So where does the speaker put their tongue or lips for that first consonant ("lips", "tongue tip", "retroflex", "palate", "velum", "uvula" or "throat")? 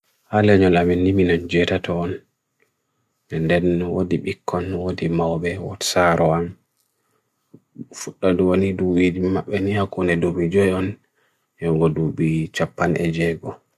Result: throat